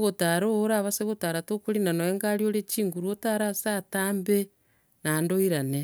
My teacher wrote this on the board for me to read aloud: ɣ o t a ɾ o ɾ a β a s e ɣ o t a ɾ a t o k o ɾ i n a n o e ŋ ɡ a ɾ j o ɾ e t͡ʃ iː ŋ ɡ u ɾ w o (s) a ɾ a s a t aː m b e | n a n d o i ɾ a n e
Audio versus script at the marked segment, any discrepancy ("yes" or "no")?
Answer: yes